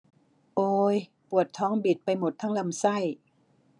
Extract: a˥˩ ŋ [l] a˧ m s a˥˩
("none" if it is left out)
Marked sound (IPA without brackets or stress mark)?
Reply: l